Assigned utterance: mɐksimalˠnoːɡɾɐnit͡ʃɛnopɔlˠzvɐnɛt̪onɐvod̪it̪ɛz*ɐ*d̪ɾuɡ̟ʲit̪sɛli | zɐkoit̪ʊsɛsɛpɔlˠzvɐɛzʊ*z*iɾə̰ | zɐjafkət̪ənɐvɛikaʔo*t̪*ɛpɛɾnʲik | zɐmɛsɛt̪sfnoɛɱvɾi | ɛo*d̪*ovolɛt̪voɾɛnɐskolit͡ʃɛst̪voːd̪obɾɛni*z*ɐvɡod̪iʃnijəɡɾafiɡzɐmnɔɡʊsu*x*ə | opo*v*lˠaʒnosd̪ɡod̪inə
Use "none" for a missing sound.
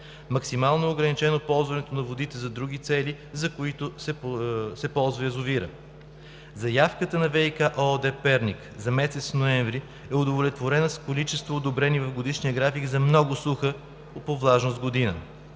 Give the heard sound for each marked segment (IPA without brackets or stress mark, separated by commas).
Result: ɐ, v, d̪, d̪, v, x, v